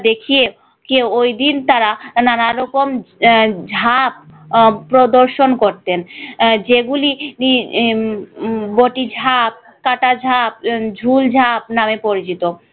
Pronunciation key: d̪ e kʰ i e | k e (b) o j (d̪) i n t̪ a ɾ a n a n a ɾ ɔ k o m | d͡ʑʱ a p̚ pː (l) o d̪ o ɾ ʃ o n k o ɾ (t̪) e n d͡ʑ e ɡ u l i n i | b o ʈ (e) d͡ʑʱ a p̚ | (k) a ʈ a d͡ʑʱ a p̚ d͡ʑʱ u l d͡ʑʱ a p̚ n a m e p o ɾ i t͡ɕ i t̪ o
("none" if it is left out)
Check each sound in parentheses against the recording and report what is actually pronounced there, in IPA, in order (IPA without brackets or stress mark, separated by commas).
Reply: w, d̪, ɾ, t̪, i, k